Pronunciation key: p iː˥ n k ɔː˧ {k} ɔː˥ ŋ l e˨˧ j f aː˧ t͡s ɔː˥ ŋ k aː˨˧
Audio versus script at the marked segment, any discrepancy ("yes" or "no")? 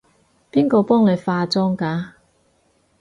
yes